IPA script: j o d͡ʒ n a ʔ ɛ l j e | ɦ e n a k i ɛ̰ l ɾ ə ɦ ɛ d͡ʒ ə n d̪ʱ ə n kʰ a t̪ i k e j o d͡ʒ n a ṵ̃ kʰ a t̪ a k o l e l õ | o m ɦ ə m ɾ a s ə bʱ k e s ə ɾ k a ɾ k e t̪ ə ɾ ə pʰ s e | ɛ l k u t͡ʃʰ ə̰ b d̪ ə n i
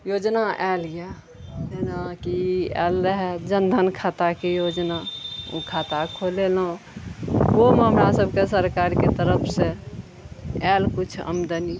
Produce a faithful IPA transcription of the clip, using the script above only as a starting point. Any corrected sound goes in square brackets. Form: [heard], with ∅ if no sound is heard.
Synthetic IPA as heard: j o d͡ʒ n a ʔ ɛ l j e | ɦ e n a k i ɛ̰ l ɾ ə ɦ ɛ d͡ʒ ə n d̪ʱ ə n kʰ a t̪ [a] k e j o d͡ʒ n a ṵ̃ kʰ a t̪ a [kʰ] o l e l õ | o m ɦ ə m ɾ a s ə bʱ k e s ə ɾ k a ɾ k e t̪ ə ɾ ə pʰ s e | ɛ l k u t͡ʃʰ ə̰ [m] d̪ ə n i